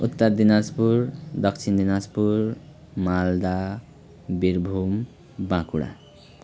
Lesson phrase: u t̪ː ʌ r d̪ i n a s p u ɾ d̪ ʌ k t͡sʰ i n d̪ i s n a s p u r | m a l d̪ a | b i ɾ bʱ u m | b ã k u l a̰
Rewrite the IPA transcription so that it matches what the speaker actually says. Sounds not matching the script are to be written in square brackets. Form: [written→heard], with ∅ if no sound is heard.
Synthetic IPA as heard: u t̪ː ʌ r d̪ i n a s p u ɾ d̪ ʌ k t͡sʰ i n d̪ i [s→∅] n a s p u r | m a l d̪ a | b i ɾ bʱ u m | b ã k u [l→ɽ] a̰